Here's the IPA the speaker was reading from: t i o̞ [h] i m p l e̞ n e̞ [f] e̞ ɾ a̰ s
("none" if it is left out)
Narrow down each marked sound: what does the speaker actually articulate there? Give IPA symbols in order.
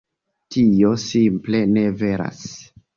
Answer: s, v

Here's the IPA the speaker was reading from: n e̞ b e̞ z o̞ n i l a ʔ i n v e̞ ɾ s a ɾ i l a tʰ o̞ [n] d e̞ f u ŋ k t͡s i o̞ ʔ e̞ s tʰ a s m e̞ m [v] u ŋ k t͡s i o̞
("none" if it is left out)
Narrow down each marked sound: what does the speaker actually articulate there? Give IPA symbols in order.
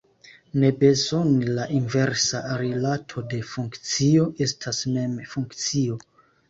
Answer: none, f

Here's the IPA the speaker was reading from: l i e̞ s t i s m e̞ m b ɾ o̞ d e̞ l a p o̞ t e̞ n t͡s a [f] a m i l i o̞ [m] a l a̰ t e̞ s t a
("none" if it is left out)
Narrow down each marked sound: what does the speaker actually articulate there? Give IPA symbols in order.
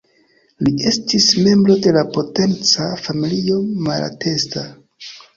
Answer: f, m

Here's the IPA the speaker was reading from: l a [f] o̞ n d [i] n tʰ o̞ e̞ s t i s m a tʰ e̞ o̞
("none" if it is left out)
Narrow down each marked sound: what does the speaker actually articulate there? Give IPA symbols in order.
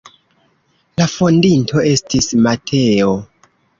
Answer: f, i

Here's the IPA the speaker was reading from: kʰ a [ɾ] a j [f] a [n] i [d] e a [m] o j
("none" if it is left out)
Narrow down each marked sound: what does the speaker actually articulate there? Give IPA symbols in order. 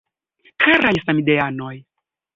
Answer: ɾ, s, m, d, n

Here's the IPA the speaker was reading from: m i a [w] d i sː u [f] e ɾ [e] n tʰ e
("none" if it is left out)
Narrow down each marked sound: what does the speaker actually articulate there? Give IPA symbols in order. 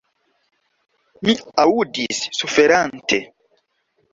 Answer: u, f, a

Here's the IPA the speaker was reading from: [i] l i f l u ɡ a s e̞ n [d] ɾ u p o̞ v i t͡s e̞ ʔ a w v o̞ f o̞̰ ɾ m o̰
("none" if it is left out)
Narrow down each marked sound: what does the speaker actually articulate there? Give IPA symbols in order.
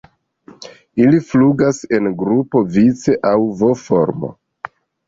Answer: i, ɡ

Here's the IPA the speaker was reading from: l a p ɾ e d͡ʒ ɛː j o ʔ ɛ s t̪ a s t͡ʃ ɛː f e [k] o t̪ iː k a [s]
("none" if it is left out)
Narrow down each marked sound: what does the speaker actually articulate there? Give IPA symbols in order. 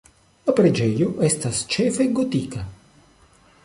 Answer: ɡ, none

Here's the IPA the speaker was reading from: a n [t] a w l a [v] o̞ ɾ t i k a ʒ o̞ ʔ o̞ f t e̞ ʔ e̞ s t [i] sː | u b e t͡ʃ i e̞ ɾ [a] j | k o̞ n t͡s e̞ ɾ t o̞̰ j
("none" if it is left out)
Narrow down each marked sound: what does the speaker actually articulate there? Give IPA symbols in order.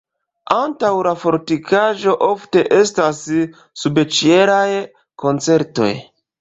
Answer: t, f, a, a

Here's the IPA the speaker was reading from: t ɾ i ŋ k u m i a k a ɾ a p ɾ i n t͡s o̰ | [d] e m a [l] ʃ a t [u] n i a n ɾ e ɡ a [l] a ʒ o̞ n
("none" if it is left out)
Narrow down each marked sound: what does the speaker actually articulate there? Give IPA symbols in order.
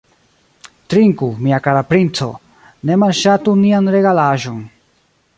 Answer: n, l, u, l

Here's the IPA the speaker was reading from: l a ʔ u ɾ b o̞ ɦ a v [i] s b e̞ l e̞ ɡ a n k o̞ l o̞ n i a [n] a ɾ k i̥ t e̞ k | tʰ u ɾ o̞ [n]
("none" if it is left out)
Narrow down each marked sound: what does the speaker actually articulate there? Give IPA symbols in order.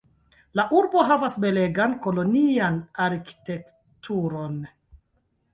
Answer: a, n, n

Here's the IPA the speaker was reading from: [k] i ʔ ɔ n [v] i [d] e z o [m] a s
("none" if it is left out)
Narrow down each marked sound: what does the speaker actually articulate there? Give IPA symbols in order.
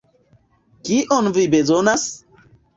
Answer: k, v, b, n

